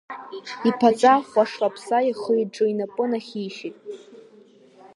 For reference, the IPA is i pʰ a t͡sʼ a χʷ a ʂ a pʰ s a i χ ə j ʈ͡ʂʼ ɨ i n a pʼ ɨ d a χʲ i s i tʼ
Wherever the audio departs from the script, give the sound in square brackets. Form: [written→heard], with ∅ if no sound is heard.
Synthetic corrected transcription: i pʰ a t͡sʼ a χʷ a ʂ a pʰ s a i χ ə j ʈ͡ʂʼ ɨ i n a pʼ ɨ [d→n] a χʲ i [s→ʃ] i tʼ

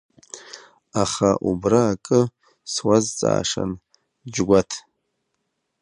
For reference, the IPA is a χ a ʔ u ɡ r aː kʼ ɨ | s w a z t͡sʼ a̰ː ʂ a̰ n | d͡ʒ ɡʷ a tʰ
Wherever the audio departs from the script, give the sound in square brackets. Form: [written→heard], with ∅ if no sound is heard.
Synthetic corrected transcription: a χ a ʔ u [ɡ→b] r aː kʼ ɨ | s w a z t͡sʼ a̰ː ʂ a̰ n | d͡ʒ ɡʷ a tʰ

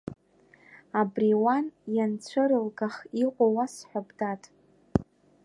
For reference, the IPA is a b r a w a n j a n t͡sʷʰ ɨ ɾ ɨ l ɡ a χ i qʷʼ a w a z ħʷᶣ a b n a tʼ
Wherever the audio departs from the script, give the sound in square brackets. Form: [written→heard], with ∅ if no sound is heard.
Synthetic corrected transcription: a b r [a→i] w a n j a n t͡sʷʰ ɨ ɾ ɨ l ɡ a χ i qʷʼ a w a [z→s] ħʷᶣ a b [n→d] a tʼ

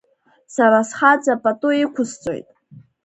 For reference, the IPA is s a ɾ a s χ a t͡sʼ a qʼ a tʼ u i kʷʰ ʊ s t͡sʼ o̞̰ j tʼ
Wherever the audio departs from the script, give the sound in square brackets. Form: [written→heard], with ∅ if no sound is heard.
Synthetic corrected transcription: s a ɾ a s χ a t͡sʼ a [qʼ→pʼ] a tʼ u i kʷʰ ʊ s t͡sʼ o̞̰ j tʼ

